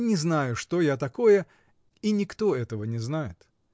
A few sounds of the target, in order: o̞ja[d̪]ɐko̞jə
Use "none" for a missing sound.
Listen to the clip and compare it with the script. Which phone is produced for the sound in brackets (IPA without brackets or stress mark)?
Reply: t̪